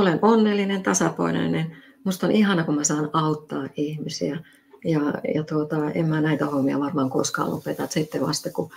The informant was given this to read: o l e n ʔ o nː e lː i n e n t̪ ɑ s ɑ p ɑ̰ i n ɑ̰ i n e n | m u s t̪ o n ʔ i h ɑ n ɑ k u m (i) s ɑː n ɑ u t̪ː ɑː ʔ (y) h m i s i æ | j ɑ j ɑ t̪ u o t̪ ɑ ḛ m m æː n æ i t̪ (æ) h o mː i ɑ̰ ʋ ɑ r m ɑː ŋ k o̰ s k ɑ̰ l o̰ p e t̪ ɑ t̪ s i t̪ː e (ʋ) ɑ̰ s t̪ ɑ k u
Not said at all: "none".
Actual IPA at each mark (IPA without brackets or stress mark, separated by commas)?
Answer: æ, i, æ, ʋ